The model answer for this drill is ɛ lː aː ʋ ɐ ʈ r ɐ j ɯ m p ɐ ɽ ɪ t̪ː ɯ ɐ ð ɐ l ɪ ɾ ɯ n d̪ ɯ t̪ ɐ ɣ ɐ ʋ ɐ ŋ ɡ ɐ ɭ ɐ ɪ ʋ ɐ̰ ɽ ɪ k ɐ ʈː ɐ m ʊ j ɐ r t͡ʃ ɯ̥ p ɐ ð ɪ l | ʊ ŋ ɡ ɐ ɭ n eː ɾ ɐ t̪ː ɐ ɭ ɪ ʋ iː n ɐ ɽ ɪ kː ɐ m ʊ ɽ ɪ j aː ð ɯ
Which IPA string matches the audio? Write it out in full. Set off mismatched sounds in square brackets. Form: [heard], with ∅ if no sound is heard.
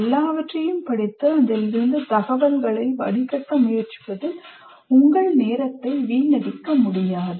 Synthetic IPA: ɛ lː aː ʋ ɐ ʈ r ɐ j ɯ m p ɐ ɽ ɪ t̪ː ɯ ɐ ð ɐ l ɪ ɾ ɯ n d̪ ɯ t̪ ɐ ɣ ɐ ʋ ɐ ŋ ɡ ɐ ɭ ɐ ɪ ʋ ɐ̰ ɽ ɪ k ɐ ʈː ɐ m ʊ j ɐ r t͡ʃ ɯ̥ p ɐ ð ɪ l | ʊ ŋ ɡ ɐ ɭ n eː ɾ ɐ t̪ː ɐ [∅] ɪ ʋ iː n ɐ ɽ ɪ kː ɐ m ʊ ɽ ɪ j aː ð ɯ